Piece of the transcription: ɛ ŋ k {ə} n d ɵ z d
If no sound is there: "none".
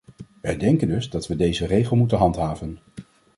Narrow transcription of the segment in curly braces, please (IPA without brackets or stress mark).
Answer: ə